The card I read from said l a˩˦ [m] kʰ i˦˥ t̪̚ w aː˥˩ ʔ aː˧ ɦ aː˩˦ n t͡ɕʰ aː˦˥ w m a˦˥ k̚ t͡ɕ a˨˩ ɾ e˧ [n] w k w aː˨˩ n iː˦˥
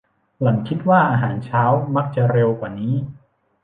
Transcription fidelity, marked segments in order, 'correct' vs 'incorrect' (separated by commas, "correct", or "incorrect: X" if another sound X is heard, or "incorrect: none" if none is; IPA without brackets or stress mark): incorrect: ŋ, incorrect: none